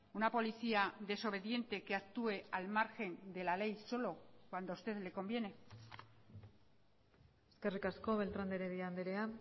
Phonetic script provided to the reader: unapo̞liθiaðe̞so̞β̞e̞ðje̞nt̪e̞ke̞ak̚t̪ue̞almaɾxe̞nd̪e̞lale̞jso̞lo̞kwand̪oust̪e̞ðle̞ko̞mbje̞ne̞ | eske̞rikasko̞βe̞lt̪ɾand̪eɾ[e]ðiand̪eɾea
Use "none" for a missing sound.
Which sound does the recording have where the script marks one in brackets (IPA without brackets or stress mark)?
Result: e